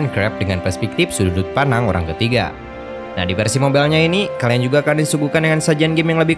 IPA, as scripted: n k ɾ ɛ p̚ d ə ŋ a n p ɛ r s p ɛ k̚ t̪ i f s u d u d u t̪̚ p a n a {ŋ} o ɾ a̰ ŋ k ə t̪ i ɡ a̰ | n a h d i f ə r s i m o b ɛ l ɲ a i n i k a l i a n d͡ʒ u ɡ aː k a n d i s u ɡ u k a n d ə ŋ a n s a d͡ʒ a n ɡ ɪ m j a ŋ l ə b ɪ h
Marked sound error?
no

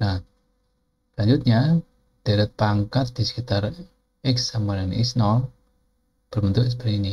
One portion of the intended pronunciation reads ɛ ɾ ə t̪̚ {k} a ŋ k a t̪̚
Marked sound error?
yes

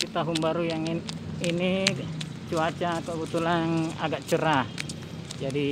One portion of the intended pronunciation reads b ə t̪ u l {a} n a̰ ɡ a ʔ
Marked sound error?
no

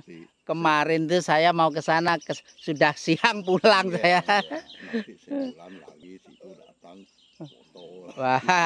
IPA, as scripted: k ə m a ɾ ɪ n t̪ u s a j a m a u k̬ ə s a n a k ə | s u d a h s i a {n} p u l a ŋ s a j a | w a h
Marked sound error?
yes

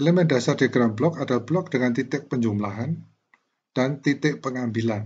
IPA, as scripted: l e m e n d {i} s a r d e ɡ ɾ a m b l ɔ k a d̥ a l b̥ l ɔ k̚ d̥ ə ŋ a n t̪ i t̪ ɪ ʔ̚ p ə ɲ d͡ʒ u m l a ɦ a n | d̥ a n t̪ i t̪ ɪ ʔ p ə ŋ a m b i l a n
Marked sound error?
yes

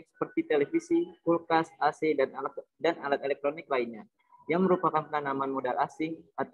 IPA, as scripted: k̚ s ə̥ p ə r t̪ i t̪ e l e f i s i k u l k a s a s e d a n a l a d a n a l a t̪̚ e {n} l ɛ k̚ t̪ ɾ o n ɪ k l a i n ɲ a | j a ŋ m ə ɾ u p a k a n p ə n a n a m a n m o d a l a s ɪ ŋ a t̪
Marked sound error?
yes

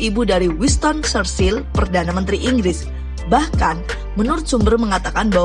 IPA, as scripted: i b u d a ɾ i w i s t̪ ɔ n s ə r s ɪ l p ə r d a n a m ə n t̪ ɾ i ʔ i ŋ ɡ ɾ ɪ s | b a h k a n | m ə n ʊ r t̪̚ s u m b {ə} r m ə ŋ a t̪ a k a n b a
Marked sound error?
no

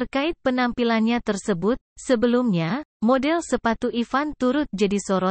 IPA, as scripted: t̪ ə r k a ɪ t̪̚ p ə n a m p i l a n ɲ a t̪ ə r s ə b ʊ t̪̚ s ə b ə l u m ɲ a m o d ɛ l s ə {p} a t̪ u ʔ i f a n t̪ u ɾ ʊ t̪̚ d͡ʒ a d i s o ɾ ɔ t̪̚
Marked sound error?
no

